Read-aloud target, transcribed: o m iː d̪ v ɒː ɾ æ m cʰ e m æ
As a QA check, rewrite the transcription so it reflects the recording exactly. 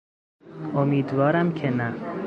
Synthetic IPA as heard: o m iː d̪ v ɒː ɾ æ m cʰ e n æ